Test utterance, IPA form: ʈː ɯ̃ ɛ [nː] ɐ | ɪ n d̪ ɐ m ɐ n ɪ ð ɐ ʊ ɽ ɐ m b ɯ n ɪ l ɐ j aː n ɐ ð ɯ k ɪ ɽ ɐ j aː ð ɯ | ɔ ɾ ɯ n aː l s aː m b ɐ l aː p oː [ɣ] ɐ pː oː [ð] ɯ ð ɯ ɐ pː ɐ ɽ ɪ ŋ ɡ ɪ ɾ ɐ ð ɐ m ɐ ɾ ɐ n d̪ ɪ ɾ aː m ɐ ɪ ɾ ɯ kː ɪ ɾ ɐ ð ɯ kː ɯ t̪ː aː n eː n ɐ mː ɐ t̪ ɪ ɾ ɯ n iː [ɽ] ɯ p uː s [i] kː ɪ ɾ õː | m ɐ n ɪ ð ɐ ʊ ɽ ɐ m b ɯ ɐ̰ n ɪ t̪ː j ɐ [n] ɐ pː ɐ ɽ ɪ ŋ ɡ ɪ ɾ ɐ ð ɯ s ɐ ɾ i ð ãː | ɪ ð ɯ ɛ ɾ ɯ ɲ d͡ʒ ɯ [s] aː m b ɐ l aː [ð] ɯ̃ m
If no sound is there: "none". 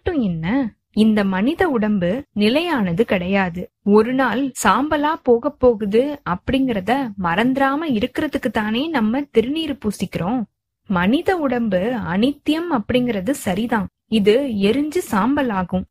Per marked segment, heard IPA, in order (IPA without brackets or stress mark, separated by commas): nː, ɣ, ɣ, ɾ, ɪ, m, s, ɣ